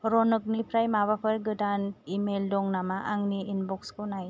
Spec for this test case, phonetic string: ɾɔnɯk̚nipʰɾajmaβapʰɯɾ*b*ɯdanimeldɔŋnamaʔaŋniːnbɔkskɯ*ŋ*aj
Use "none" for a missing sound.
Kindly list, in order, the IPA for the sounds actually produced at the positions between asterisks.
ɡ, n

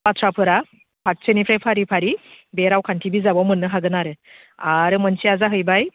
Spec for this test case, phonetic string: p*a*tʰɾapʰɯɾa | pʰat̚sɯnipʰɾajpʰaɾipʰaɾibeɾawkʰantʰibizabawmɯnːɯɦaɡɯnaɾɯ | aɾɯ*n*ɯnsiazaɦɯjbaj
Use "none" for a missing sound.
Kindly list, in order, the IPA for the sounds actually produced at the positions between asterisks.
a, m

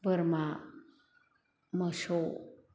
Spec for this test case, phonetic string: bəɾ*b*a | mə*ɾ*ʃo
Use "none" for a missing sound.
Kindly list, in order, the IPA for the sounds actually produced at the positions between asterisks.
m, none

